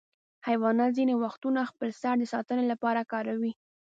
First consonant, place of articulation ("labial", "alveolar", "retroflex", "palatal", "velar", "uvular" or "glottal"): glottal